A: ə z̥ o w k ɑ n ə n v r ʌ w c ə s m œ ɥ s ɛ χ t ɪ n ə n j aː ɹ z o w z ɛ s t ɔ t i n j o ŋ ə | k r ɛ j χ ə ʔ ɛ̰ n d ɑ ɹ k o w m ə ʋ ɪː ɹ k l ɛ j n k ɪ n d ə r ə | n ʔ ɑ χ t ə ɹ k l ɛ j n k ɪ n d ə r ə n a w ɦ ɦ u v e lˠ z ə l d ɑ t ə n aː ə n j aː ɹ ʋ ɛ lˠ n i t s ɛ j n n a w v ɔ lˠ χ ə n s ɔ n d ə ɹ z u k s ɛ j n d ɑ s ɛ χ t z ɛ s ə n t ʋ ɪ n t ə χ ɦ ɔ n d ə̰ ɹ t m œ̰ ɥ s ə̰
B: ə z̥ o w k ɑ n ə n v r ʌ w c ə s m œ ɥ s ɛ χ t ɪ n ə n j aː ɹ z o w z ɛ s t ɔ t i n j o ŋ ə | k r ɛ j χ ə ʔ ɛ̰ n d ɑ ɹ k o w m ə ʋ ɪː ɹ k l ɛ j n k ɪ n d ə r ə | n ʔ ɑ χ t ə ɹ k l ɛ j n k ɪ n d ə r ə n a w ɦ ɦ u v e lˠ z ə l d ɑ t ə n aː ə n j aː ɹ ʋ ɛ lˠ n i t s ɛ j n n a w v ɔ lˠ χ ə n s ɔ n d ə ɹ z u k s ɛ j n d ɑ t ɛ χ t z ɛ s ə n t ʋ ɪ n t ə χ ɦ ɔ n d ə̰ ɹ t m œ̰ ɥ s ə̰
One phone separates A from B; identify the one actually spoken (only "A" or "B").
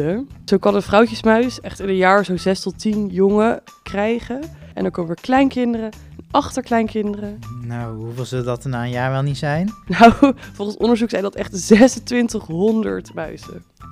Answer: B